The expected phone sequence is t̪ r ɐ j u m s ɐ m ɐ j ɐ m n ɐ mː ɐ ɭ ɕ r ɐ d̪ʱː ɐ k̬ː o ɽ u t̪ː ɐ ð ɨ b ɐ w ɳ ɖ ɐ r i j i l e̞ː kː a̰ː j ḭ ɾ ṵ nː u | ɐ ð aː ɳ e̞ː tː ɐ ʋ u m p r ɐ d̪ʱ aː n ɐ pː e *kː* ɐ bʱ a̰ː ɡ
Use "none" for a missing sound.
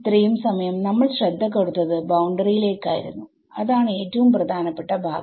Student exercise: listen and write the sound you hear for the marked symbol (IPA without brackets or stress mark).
ʈː